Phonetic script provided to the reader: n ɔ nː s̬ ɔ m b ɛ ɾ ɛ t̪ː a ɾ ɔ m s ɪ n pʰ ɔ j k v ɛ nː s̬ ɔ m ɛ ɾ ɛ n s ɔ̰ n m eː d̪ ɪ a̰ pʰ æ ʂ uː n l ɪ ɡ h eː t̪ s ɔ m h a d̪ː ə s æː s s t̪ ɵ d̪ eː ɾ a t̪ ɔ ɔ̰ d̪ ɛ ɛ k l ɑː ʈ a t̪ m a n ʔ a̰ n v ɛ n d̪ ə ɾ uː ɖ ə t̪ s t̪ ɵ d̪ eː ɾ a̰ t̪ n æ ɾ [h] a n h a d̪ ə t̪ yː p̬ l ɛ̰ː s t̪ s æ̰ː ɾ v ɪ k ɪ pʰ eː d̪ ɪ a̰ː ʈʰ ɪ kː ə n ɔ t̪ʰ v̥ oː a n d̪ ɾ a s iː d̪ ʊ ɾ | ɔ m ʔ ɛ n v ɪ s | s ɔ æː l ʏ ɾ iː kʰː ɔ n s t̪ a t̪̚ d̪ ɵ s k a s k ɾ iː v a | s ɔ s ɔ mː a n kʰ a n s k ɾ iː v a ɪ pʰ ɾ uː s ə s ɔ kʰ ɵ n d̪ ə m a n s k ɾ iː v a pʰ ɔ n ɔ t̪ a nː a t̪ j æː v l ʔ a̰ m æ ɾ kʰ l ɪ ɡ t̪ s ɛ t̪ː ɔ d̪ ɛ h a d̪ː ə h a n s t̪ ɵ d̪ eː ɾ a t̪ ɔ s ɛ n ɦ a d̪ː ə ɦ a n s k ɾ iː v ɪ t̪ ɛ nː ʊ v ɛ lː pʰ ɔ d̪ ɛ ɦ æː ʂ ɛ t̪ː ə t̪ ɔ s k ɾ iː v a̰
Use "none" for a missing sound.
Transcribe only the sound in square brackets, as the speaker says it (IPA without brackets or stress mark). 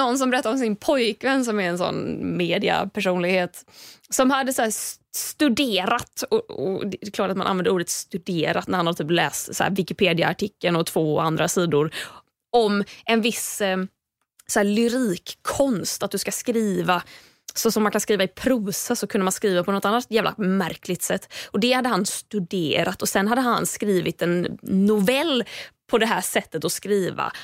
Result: h